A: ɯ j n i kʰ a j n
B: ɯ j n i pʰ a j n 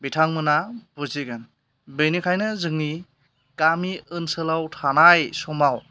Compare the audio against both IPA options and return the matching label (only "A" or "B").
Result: A